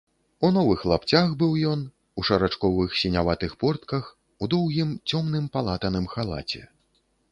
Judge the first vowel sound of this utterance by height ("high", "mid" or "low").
high